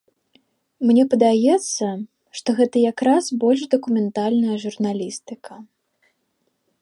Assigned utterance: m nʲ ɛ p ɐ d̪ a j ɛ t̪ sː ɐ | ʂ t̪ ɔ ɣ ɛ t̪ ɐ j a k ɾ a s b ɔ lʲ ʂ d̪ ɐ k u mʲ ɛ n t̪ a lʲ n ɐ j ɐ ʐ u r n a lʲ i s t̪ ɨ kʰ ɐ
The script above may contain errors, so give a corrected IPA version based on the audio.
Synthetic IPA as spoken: m nʲ ɛ p ɐ d̪ a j ɛ t̪ sː ɐ | ʂ t̪ ɔ ɣ ɛ t̪ ɐ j a k ɾ a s b ɔ lʲ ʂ d̪ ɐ k u mʲ ɛ n t̪ a lʲ n ɐ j ɐ ʐ u r n a lʲ i s t̪ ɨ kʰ ɐ